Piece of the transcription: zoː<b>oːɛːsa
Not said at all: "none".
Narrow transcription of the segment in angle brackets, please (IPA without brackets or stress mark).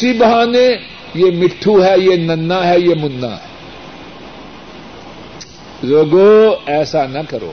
ɡ